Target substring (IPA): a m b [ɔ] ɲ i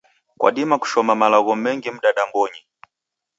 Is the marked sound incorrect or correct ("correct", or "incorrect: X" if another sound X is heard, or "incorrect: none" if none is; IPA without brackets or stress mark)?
correct